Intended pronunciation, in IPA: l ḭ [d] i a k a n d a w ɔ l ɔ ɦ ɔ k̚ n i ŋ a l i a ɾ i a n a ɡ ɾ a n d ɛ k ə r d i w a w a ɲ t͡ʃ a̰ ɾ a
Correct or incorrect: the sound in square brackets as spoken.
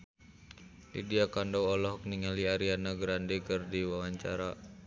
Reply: correct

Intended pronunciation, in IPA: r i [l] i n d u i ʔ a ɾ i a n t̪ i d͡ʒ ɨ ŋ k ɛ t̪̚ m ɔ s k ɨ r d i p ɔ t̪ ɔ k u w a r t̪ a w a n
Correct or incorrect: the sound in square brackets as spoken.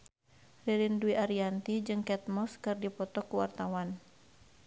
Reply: incorrect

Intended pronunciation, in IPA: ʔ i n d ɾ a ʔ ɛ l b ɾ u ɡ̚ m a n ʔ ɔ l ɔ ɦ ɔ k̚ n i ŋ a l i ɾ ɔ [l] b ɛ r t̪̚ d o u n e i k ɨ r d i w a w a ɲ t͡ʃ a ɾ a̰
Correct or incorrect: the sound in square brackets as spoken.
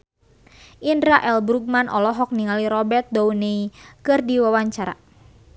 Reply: incorrect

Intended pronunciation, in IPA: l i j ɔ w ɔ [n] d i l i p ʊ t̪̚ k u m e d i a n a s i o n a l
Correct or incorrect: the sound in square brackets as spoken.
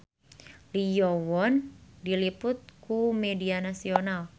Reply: correct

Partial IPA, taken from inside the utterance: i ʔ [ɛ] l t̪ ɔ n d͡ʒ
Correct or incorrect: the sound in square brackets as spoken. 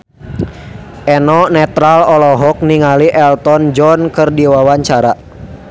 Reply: correct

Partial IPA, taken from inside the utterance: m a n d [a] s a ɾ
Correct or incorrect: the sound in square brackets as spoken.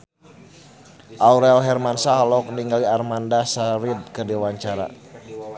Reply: correct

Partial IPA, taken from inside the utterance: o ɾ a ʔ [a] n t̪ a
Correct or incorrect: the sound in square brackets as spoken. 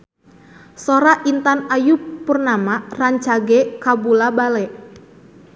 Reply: incorrect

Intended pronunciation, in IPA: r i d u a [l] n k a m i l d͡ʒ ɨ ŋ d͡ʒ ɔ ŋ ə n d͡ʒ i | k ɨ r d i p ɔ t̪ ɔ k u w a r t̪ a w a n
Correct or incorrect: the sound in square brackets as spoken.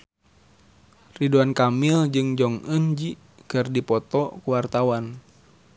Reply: incorrect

